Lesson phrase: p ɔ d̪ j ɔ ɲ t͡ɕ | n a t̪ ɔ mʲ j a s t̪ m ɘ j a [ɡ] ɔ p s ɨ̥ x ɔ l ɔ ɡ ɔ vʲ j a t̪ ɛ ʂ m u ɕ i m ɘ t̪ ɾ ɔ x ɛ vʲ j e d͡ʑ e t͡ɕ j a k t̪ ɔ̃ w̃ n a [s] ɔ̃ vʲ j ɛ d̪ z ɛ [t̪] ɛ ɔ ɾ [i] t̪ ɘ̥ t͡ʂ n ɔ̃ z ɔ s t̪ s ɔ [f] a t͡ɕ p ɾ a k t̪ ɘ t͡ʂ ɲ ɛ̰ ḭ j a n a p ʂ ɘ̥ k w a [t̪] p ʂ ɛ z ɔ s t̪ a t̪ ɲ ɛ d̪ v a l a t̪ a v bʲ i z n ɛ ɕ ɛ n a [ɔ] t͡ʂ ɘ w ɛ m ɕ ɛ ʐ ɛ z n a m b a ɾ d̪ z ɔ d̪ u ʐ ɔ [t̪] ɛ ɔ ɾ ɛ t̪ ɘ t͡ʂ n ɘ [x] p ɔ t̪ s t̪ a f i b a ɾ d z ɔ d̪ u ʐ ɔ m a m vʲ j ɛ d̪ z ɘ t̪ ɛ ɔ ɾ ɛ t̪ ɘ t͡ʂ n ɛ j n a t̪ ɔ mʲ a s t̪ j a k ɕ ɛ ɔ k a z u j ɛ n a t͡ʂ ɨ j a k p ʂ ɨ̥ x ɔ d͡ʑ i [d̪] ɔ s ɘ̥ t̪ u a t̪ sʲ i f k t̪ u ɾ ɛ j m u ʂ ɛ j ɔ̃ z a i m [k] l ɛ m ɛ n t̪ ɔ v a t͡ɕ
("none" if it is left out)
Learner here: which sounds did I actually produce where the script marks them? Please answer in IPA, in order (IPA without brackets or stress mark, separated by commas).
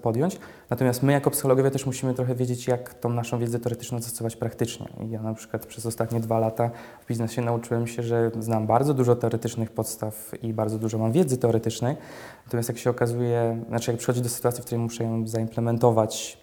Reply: k, ʂ, t̪, ɛ, v, t̪, u, t̪, x, d̪, p